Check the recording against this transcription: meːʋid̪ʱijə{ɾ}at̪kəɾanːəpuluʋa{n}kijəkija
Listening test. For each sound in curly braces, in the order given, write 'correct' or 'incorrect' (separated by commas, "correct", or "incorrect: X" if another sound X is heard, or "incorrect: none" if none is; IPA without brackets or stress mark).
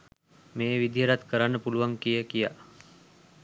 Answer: correct, incorrect: ŋ